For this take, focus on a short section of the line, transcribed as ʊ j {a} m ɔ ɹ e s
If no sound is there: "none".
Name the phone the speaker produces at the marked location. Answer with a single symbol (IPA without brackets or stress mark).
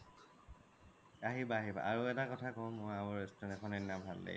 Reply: a